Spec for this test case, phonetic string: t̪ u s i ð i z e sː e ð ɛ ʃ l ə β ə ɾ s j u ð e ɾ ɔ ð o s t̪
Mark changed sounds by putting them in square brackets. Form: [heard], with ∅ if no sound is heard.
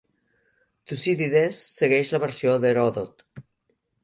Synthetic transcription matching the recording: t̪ u s i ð i [ð] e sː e [ɣ] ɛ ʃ l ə β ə ɾ s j [o] ð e ɾ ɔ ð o [∅] t̪